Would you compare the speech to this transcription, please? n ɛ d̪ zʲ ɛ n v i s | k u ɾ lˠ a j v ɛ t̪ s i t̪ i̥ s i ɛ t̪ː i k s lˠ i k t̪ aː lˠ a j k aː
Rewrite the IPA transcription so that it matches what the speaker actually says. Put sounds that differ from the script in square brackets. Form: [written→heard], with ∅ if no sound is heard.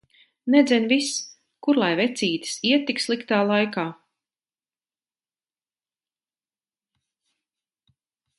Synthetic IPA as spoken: n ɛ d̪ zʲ ɛ n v i s | k u ɾ lˠ a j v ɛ t̪ s [i→iː] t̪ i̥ s i ɛ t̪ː i k s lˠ i k t̪ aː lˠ a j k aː